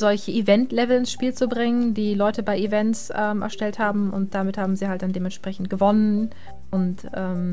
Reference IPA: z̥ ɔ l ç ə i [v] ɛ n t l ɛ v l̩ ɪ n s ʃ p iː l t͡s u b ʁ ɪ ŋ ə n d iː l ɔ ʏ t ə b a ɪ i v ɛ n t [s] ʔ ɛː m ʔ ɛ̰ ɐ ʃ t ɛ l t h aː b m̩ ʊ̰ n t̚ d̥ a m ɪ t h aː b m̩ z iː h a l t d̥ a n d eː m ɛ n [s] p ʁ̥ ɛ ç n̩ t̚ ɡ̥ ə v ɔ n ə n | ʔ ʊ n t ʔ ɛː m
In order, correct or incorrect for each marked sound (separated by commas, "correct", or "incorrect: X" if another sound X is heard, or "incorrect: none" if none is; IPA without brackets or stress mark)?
correct, correct, incorrect: ʃ